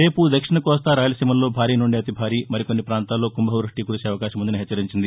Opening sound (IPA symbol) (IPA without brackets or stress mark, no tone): ɾ